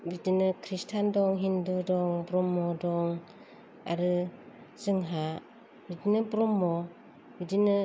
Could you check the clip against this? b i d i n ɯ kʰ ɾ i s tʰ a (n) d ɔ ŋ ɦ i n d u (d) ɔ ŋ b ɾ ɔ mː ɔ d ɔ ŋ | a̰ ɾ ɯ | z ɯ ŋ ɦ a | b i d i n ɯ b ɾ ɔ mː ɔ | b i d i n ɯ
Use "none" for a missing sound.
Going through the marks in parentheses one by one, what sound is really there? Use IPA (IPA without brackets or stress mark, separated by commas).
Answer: n, d